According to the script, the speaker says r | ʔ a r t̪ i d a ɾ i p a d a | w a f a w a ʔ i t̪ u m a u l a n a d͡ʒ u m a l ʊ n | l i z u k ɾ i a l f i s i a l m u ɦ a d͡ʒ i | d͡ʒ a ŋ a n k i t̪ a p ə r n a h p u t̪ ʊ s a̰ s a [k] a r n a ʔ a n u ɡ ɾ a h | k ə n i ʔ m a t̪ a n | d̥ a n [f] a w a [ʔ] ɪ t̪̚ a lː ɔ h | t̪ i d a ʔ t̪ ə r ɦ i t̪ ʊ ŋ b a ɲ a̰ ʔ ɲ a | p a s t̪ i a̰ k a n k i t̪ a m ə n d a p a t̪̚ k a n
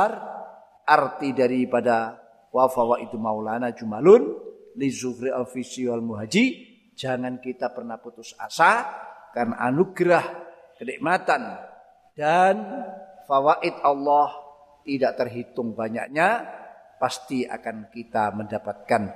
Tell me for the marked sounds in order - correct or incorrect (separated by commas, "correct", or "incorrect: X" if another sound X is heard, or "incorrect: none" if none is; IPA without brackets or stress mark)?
correct, correct, correct